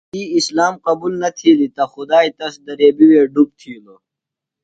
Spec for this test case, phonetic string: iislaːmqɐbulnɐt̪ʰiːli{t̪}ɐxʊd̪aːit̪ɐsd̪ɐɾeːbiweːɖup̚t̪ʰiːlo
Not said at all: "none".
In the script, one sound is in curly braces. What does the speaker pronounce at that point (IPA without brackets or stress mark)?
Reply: t̪